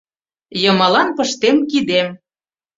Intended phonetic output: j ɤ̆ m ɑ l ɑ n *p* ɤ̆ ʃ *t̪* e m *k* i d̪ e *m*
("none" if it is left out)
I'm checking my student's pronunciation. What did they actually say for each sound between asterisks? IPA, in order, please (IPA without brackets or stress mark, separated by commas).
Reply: p, t̪, k, m